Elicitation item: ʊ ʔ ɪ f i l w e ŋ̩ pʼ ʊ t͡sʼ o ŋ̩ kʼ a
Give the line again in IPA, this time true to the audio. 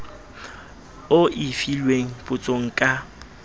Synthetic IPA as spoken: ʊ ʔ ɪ f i l w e ŋ̩ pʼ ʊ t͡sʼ o ŋ̩ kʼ a